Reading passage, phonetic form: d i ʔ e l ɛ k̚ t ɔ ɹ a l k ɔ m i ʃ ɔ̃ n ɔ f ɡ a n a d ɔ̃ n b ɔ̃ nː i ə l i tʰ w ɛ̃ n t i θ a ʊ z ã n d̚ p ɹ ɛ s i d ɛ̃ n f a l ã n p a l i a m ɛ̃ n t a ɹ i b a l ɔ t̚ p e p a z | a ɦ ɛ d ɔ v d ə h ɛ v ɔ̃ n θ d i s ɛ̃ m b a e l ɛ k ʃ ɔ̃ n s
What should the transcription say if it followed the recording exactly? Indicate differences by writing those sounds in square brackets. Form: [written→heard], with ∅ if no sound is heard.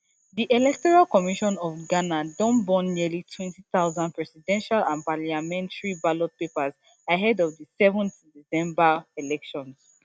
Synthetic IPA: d i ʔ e l ɛ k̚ t ɔ ɹ a l k ɔ m i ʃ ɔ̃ n ɔ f ɡ a n a d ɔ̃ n b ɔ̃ nː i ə l i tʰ w ɛ̃ n t i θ a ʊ z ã n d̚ p ɹ ɛ s i d ɛ̃ n [f→ʃ] a l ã n p a l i a m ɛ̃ n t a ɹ i b a l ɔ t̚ p e p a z | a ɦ ɛ d ɔ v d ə [h→s] ɛ v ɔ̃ n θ d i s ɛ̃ m b a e l ɛ k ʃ ɔ̃ n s